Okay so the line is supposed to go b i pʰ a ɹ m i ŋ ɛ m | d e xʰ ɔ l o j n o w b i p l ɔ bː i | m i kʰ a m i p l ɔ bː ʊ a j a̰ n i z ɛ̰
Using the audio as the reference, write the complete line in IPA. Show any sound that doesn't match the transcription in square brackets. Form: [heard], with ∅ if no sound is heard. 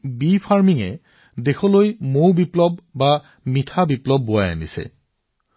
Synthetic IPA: b i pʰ a ɹ m i ŋ ɛ [∅] | d e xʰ ɔ l o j [m] o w b i p l ɔ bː [a] | m i [tʰ] a [b] i p l ɔ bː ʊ a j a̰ n i [s] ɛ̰